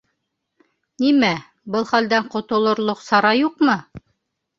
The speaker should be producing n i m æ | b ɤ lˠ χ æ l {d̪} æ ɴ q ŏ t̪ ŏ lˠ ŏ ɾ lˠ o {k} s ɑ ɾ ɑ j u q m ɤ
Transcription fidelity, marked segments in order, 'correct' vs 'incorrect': correct, incorrect: q

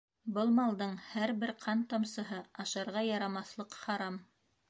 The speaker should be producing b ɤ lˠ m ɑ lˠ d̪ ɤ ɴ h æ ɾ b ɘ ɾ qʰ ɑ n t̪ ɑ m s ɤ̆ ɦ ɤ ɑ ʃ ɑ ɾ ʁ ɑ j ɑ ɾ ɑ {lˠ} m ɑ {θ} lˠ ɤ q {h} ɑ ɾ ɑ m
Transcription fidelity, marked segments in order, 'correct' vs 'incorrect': incorrect: none, correct, incorrect: χ

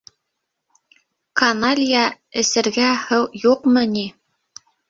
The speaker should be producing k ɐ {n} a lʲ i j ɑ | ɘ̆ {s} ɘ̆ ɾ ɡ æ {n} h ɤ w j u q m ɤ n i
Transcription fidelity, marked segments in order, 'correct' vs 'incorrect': correct, correct, incorrect: none

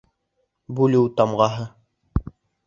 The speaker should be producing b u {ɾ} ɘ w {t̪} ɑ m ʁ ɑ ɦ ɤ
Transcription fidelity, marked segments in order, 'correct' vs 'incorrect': incorrect: l, correct

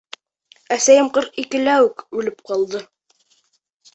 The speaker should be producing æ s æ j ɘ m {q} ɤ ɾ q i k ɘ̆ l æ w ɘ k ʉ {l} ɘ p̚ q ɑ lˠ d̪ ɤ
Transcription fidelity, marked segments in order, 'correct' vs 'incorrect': correct, correct

